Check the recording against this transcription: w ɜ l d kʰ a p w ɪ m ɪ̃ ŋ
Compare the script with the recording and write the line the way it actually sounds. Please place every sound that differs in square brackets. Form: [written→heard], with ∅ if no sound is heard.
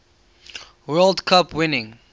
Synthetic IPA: w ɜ l d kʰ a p w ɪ [m→n] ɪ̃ ŋ